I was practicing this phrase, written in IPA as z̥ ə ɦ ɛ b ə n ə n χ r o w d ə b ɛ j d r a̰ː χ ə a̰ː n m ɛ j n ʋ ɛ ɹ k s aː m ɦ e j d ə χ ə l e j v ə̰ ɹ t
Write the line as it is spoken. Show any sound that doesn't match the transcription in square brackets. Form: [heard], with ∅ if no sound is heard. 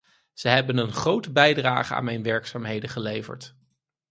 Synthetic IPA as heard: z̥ ə ɦ ɛ b ə n ə n χ r o w [t] ə b ɛ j d r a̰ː χ ə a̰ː n m ɛ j n ʋ ɛ ɹ k s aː m ɦ e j d ə χ ə l e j v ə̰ ɹ t